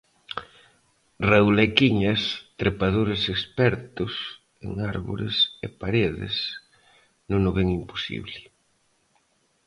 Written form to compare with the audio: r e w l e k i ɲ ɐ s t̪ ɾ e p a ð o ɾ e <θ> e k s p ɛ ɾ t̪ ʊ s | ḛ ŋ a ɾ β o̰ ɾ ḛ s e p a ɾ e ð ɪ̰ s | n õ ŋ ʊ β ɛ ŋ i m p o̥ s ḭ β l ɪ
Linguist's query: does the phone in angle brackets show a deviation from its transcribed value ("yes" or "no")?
yes